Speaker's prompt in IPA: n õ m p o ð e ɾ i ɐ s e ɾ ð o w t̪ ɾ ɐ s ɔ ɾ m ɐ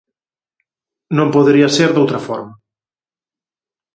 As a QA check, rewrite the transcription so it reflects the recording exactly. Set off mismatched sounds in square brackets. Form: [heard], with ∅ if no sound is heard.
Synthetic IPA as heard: n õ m p o ð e ɾ i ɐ s e ɾ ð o w t̪ ɾ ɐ [f] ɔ ɾ m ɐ